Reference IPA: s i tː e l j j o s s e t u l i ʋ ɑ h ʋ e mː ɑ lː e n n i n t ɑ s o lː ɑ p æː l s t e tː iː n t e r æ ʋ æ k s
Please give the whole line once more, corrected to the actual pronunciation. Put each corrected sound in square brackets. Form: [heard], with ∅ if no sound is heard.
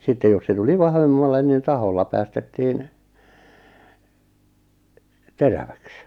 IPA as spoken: s i tː e [∅] j j o s s e t u l i ʋ ɑ h ʋ e mː ɑ lː e n n i n t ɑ [h] o lː ɑ p æː [∅] s t e tː iː n t e r æ ʋ æ k s